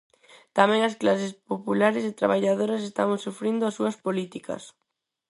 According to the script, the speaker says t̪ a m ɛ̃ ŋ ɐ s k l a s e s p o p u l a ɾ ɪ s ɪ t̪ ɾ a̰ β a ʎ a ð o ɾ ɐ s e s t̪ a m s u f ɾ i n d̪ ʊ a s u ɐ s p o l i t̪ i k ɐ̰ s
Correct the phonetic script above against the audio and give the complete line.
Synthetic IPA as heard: t̪ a m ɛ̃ ŋ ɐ s k l a s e s p o p u l a ɾ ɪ s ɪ t̪ ɾ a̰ β a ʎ a ð o ɾ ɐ s e s t̪ a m s u f ɾ i n d̪ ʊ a s u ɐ s p o l i t̪ i k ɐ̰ s